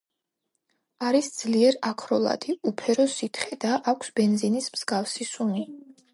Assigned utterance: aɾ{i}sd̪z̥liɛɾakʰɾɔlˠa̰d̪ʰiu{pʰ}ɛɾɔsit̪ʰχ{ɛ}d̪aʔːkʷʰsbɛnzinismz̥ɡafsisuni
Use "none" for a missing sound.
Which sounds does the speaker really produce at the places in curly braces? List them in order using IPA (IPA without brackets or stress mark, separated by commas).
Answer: i, pʰ, ɛ